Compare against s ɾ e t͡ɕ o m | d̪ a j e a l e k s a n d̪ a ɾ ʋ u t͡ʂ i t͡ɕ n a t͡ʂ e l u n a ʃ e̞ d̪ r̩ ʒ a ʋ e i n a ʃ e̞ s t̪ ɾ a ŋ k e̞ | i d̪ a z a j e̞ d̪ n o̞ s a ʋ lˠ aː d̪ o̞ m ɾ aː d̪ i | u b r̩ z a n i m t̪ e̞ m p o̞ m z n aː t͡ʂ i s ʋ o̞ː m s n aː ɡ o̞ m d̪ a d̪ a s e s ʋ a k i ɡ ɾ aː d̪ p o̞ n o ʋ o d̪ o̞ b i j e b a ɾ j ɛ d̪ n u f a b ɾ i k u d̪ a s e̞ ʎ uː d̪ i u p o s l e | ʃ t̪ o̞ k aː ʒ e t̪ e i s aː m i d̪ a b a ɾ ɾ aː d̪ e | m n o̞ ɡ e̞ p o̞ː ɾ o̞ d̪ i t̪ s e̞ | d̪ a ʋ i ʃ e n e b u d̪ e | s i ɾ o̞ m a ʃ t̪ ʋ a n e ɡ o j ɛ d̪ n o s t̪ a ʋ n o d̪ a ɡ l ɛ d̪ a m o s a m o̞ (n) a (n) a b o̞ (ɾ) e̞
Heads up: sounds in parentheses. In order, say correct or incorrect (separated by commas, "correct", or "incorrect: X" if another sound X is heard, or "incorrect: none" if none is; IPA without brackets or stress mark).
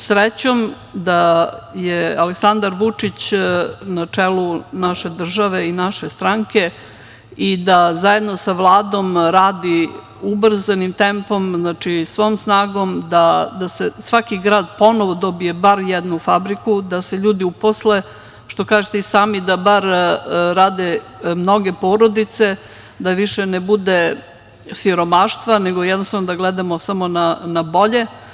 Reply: correct, correct, incorrect: ʎ